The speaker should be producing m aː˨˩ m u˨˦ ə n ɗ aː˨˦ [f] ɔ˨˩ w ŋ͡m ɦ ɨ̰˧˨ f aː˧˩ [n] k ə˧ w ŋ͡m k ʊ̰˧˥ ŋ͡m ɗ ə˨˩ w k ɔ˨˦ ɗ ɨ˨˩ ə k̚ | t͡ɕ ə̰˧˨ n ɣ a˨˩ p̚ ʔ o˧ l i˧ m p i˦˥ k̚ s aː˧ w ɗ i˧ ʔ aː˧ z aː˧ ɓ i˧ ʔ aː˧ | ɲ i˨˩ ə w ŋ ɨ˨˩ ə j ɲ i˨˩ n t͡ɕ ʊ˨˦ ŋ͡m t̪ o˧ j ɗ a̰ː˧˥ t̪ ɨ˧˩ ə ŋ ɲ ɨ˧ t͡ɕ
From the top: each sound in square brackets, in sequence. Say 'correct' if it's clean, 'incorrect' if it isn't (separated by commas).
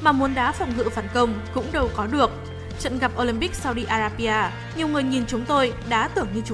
correct, correct